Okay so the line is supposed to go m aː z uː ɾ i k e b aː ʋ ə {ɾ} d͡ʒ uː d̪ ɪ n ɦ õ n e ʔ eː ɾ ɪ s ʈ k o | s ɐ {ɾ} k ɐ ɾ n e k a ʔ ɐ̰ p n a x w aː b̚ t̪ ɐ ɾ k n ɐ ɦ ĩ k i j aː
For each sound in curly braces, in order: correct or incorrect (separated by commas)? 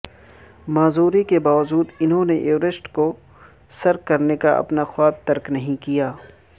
incorrect, correct